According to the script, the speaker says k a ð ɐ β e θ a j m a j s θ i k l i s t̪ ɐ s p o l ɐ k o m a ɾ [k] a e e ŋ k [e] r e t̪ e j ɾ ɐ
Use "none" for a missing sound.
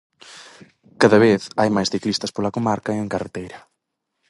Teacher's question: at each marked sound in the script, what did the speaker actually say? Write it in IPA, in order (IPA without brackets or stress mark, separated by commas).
k, a